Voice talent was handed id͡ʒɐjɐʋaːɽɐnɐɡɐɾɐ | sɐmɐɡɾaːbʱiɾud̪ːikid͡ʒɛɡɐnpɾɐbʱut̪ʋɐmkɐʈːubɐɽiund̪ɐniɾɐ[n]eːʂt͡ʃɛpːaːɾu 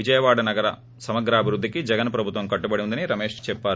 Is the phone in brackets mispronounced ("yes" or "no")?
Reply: yes